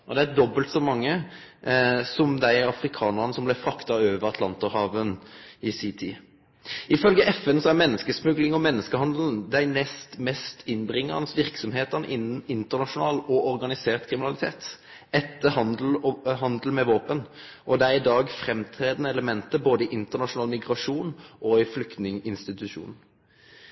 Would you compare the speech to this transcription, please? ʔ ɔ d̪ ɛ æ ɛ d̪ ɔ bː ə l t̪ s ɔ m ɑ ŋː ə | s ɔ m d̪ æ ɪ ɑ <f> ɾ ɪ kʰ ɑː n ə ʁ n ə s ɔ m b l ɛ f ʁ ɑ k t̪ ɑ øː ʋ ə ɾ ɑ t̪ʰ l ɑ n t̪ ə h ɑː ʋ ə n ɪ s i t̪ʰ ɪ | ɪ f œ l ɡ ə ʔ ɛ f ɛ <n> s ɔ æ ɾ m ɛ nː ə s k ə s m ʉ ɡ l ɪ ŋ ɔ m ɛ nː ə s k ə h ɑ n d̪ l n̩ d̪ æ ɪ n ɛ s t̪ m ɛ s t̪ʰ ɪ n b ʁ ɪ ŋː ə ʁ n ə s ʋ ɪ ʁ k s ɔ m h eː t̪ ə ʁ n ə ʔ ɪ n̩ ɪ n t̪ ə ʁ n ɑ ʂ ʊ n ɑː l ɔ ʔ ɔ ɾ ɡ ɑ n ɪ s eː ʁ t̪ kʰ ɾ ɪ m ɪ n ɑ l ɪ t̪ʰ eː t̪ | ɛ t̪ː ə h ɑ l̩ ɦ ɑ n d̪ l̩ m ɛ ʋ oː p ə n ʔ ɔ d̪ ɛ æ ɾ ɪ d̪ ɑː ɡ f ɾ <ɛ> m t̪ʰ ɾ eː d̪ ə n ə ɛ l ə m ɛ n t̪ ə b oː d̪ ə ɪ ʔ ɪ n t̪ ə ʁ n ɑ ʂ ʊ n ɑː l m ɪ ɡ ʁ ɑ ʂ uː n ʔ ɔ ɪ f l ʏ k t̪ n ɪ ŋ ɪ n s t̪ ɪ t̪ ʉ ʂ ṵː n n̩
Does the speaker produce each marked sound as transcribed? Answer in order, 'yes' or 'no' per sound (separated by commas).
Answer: yes, yes, yes